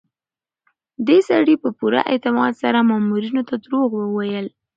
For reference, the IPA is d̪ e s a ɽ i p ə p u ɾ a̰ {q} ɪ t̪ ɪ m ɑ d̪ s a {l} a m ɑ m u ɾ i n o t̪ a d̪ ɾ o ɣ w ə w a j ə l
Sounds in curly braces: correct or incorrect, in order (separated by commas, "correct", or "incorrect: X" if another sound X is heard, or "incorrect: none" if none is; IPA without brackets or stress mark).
incorrect: ʔ, incorrect: ɾ